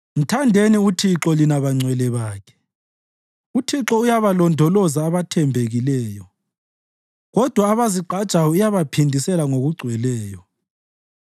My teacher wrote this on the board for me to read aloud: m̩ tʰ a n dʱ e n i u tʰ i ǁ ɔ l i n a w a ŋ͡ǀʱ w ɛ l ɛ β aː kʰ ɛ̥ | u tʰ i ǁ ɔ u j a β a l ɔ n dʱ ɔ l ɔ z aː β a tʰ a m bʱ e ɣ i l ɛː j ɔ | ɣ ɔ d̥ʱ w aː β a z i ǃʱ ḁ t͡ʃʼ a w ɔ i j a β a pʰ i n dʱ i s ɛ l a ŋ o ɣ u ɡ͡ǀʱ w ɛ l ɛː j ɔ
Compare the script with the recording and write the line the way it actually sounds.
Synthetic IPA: m̩ tʰ a n dʱ e n i u tʰ i ǁ ɔ l i n a β a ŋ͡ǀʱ w ɛ l ɛ β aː kʰ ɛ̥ | u tʰ i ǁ ɔ u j a β a l ɔ n dʱ ɔ l ɔ z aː β a tʰ ɛ m bʱ e ɣ i l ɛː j ɔ | ɣ ɔ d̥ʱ w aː β a z i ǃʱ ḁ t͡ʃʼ a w ɔ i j a β a pʰ i n dʱ i s ɛ l a ŋ o ɣ u ɡ͡ǀʱ w ɛ l ɛː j ɔ